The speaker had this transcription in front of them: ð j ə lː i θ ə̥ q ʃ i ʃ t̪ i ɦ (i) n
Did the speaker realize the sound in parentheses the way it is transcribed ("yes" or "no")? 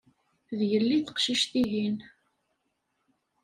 yes